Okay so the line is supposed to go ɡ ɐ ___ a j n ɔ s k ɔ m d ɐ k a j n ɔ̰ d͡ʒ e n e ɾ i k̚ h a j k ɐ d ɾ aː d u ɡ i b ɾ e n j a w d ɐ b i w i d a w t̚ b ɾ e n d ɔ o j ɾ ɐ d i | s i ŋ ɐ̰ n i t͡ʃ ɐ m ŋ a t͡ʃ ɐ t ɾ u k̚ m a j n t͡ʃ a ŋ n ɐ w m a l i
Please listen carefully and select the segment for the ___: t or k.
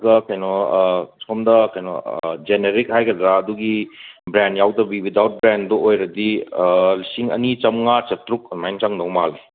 k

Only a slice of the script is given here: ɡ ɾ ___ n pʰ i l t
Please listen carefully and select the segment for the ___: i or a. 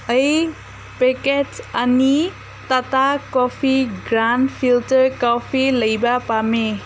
a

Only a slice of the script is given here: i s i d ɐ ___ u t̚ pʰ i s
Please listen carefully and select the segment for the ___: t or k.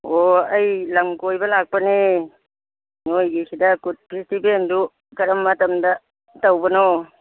k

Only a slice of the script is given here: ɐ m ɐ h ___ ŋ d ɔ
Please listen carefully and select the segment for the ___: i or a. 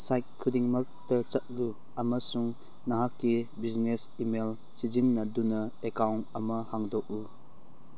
a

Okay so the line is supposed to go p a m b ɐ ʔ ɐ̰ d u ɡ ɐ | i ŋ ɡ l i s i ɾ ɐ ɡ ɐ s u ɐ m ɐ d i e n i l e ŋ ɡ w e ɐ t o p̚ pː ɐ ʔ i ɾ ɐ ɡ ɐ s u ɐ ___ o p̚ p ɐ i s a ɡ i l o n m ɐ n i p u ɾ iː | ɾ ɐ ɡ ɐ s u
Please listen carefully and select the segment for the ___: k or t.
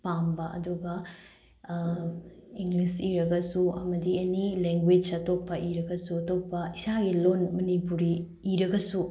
t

